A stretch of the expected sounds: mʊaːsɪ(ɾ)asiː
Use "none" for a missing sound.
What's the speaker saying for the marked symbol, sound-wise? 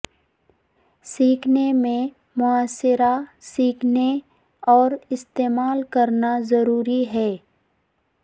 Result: ɾ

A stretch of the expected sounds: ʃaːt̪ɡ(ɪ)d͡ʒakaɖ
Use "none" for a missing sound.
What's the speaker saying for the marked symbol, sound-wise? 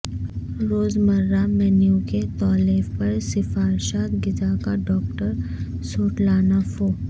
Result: ɪ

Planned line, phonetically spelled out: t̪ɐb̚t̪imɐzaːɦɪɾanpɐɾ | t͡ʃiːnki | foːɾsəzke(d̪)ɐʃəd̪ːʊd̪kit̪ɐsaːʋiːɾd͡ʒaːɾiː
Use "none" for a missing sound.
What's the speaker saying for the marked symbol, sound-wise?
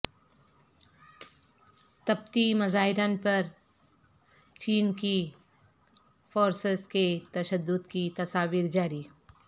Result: t̪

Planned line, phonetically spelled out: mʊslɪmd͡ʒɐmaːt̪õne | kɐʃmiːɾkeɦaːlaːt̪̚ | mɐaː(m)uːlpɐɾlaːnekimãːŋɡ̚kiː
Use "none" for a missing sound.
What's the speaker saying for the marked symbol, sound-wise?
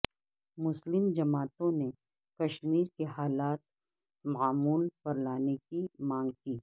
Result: m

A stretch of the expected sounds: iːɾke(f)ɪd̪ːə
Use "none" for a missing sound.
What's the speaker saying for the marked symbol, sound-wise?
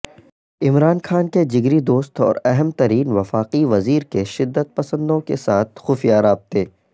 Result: ʃ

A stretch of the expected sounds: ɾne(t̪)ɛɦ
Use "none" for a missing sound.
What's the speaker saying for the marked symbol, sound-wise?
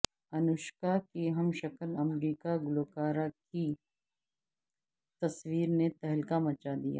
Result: t̪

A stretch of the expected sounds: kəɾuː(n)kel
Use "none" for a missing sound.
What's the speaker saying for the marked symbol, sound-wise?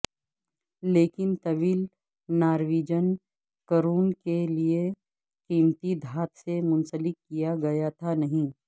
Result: n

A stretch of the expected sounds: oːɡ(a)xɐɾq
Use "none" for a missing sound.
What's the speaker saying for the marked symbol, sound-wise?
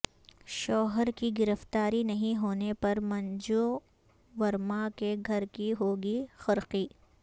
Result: i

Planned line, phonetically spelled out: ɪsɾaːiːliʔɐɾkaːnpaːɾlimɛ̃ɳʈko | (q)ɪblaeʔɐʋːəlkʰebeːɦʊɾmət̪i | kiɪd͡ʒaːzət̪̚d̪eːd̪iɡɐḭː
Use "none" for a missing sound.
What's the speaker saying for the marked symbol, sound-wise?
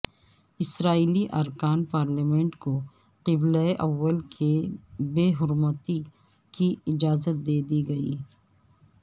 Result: q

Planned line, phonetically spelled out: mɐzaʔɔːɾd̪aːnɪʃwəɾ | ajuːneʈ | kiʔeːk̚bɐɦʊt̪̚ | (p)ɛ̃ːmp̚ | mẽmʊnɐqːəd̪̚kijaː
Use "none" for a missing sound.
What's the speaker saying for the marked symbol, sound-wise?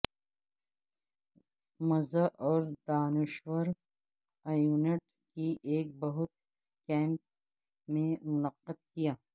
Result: k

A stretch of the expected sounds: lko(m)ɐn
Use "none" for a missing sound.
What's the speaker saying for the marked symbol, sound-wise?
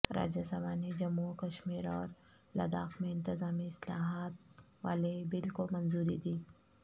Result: m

